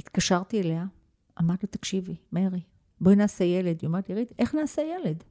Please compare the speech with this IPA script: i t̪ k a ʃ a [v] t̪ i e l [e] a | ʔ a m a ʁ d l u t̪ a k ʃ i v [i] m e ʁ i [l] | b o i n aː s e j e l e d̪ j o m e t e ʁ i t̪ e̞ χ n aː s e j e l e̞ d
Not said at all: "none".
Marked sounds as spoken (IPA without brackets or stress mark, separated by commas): ʁ, e, i, none